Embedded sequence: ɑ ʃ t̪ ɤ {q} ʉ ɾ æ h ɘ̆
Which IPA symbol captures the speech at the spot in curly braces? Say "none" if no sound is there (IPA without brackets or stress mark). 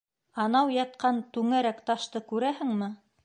k